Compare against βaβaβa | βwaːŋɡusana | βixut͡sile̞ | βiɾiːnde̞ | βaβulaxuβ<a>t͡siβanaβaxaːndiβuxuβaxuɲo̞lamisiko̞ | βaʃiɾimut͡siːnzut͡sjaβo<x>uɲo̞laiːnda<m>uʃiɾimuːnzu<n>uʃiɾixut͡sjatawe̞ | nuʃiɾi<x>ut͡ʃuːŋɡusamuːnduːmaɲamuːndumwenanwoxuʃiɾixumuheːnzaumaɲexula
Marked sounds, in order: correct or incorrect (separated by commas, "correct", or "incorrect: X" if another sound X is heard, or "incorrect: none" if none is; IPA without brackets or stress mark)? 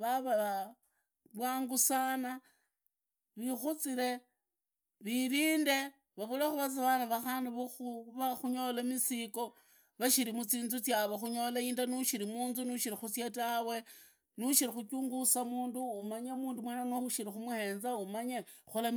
correct, correct, incorrect: n, correct, correct